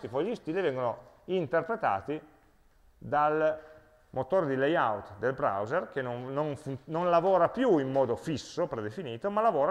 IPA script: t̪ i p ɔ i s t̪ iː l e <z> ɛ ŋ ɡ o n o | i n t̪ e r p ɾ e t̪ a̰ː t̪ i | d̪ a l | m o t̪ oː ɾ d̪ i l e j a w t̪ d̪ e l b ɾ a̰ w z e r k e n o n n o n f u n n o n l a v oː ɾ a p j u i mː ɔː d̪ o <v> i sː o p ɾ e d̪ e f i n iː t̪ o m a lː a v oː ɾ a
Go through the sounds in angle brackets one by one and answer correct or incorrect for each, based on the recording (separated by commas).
incorrect, incorrect